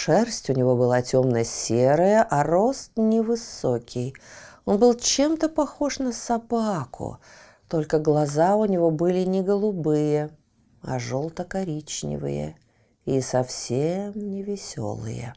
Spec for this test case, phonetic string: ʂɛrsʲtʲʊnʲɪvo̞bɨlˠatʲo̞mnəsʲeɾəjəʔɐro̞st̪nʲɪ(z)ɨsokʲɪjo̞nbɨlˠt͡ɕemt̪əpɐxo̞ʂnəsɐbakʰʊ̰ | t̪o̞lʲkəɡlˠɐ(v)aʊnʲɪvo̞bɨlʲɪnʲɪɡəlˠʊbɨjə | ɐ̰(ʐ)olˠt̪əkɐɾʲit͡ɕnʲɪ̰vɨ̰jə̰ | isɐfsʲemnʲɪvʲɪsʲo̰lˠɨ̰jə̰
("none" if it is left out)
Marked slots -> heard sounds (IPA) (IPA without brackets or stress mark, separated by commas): v, z, ʐ